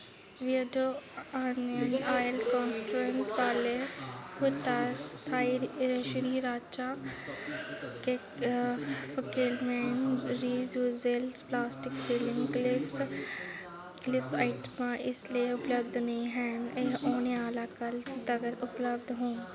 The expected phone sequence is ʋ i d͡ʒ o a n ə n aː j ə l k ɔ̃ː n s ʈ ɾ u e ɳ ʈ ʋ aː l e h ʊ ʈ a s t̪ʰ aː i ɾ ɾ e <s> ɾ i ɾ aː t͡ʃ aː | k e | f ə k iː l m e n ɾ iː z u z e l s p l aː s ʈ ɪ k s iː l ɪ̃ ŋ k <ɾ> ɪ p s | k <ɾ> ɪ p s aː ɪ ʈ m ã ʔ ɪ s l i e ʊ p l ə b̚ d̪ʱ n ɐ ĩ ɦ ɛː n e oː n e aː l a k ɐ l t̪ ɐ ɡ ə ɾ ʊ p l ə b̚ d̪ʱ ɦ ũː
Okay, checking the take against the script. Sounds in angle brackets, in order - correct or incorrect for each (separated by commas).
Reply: incorrect, incorrect, incorrect